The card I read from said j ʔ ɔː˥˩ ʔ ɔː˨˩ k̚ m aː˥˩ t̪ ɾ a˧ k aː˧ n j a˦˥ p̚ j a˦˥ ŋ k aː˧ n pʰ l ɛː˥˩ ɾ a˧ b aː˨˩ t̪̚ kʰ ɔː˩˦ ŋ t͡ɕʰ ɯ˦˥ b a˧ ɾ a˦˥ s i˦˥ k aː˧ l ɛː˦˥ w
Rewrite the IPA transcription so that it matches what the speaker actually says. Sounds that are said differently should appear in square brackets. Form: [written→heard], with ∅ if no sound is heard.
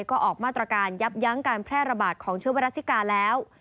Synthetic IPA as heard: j [ʔ→k] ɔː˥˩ ʔ ɔː˨˩ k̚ m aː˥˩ t̪ ɾ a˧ k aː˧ n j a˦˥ p̚ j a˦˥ ŋ k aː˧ n pʰ [l→ɾ] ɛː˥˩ ɾ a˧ b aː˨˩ t̪̚ kʰ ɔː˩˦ ŋ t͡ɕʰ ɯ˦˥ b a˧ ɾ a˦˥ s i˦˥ k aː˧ l ɛː˦˥ w